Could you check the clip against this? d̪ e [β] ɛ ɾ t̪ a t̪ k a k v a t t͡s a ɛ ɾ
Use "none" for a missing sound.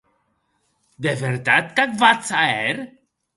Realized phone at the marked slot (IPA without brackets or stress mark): v